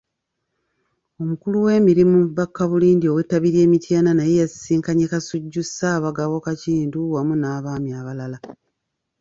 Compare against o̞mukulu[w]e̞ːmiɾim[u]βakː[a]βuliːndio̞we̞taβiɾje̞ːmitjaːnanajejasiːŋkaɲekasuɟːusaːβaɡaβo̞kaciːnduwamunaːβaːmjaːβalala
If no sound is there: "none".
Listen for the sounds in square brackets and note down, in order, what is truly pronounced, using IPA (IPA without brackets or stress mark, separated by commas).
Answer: w, u, a